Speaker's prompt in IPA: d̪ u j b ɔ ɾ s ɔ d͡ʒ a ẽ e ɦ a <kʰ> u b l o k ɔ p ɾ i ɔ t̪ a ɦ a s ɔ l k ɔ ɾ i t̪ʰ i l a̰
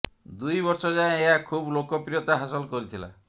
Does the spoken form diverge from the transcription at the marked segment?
no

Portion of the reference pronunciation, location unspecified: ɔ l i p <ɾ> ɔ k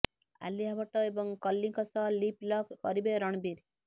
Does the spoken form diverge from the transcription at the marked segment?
yes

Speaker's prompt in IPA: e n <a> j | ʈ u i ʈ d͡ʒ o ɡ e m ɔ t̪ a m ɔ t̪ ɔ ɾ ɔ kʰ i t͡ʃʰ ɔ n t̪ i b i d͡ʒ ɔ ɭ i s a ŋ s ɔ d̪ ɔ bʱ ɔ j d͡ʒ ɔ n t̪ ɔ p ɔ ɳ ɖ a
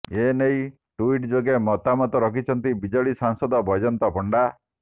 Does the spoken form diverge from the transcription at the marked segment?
yes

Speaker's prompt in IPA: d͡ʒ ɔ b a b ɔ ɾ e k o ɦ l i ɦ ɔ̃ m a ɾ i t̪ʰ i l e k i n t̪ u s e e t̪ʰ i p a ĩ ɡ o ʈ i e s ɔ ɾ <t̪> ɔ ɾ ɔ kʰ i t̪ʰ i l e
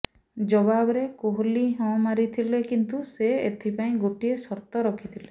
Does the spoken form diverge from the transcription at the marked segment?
no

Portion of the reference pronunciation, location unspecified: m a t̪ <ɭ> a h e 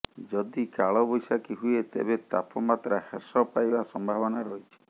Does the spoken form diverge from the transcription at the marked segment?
yes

